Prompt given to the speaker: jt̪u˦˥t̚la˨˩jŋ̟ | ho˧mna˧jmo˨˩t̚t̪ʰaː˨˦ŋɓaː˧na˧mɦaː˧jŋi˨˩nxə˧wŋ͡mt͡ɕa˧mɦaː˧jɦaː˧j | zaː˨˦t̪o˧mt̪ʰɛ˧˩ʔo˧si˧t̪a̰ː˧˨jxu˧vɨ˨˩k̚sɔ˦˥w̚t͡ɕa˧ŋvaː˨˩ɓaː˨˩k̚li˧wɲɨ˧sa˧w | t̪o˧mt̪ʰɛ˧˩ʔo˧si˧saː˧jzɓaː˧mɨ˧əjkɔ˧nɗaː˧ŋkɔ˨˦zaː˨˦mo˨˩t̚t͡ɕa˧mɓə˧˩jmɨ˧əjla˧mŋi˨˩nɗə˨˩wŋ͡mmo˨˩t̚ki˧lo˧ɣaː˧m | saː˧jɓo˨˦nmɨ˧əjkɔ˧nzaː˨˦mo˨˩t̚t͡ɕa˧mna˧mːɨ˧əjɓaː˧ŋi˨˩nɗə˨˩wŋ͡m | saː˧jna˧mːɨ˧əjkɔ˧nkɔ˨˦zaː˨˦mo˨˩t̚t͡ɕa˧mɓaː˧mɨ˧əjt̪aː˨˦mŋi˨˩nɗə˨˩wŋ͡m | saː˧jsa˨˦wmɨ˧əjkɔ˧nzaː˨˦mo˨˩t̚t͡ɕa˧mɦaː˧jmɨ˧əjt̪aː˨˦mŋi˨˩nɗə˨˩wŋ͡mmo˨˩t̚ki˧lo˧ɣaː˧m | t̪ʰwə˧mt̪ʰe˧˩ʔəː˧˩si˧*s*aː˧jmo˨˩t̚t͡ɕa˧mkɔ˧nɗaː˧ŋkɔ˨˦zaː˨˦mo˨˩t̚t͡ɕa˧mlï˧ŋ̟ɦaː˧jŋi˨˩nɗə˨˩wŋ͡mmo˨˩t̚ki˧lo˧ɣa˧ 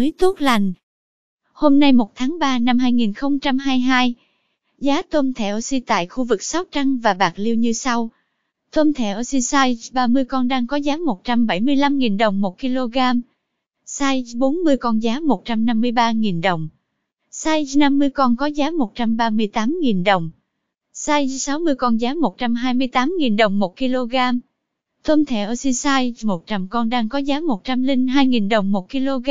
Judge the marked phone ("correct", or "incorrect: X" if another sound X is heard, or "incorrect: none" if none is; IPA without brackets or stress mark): correct